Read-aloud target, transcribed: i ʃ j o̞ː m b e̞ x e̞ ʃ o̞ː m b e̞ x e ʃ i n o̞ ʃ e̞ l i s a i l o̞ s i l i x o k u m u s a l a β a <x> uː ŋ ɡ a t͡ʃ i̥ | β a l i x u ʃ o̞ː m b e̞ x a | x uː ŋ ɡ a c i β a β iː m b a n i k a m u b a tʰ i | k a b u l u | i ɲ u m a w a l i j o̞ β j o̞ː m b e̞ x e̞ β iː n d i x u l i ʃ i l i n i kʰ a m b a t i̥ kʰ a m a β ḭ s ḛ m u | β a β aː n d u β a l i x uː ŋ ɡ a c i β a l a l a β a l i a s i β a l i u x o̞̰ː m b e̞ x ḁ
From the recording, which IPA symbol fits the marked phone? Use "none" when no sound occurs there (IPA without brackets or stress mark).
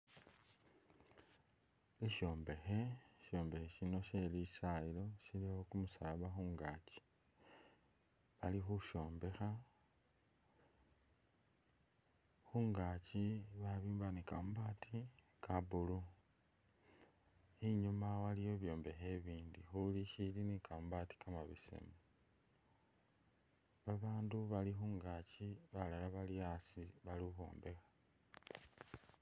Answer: x